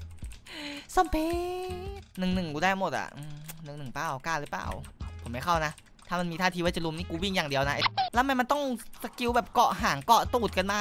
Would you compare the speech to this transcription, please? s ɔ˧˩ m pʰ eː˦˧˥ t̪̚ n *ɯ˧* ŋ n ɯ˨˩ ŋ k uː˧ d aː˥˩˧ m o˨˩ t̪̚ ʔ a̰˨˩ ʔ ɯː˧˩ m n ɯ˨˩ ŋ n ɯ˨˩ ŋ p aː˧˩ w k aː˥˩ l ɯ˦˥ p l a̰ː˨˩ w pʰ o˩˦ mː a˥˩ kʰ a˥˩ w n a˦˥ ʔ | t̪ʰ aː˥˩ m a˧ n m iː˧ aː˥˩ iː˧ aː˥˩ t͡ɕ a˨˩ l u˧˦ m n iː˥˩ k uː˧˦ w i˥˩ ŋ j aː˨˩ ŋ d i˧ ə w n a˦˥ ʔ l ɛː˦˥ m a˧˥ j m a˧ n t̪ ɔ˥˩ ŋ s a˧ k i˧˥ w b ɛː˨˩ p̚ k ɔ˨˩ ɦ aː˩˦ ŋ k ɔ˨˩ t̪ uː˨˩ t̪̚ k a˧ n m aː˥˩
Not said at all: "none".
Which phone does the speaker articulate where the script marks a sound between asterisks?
ɯ˨˩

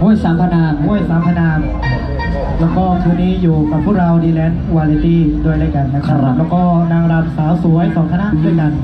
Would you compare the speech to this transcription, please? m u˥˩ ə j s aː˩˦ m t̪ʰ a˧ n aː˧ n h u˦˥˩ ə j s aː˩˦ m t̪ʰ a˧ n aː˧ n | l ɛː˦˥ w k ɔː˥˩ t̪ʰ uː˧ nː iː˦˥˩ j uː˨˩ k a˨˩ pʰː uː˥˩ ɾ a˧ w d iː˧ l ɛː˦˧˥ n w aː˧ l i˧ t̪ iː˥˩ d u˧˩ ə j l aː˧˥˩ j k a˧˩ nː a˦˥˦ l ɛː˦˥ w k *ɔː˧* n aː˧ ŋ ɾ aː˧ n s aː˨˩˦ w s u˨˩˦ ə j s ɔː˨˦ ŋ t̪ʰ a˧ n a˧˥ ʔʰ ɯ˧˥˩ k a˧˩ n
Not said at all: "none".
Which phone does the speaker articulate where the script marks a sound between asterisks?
ɔː˥˩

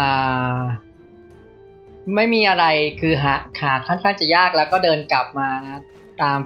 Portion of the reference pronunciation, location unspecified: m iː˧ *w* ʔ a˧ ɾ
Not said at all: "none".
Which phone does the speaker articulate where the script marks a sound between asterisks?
none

